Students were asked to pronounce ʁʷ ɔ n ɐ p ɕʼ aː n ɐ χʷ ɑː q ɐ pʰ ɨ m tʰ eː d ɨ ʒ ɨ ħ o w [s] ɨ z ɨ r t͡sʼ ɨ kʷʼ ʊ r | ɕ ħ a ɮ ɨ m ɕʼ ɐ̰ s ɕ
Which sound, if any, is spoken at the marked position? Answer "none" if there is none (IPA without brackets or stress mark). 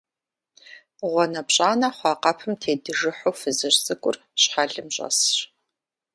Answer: f